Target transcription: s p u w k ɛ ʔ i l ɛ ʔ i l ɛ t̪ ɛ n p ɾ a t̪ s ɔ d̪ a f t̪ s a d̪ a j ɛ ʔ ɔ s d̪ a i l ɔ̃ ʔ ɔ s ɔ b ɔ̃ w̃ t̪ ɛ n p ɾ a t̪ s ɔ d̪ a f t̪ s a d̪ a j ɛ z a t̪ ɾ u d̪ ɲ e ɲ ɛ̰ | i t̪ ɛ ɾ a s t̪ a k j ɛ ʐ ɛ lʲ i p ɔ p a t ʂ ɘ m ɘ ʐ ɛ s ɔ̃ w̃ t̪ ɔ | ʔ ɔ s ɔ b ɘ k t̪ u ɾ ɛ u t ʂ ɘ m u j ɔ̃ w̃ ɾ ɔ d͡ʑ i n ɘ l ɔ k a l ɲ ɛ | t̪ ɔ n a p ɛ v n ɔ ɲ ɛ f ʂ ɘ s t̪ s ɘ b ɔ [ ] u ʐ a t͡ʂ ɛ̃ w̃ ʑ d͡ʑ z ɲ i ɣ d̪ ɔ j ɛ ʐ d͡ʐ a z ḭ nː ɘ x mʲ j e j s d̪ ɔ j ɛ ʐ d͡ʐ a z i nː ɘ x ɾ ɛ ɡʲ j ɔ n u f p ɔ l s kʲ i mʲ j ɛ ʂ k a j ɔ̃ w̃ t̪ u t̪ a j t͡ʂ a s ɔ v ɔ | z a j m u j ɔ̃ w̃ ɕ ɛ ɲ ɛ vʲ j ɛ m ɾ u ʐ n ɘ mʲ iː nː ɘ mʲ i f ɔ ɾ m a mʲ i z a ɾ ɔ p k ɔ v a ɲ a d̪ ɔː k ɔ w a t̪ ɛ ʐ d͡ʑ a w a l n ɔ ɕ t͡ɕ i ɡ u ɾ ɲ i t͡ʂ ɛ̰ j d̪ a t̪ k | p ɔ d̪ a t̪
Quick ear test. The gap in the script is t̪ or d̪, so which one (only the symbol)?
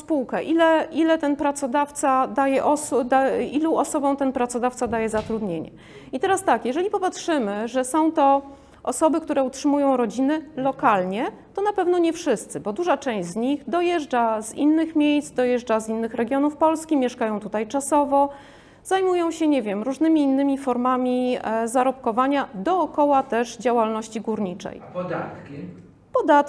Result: d̪